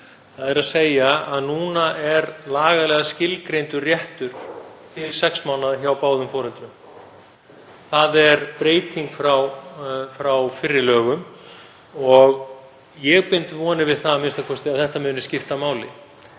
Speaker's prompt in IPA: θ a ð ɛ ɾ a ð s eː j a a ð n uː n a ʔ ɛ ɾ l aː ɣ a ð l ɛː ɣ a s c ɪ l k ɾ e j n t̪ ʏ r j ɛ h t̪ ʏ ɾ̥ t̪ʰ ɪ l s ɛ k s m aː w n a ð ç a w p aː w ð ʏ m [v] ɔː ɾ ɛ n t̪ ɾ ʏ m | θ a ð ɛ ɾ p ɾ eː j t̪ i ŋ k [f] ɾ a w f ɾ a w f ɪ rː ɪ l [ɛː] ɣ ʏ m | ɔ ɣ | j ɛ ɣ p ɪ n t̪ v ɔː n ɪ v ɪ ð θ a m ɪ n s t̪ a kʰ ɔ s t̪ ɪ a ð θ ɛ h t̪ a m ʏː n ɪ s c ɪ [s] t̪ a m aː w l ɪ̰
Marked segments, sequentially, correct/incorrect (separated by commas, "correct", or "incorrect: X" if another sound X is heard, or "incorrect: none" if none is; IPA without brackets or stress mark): incorrect: f, correct, incorrect: œː, incorrect: f